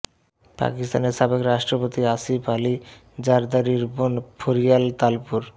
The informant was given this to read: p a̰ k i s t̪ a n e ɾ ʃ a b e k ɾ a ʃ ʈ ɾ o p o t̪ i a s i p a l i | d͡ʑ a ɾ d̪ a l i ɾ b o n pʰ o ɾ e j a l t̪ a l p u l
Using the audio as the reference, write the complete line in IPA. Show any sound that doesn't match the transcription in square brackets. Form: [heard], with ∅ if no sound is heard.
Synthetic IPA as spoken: p a̰ k i s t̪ a n e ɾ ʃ a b e k ɾ a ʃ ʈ ɾ o p o t̪ i a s i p a l i | d͡ʑ a ɾ d̪ a [ɾ] i ɾ b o n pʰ o ɾ [i] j a l t̪ a l p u [ɾ]